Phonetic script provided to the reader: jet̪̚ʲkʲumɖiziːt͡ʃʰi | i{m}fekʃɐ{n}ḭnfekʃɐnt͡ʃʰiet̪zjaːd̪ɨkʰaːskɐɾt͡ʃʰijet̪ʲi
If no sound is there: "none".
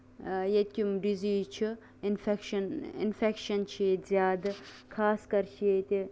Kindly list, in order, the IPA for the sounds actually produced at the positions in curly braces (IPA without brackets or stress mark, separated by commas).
n, n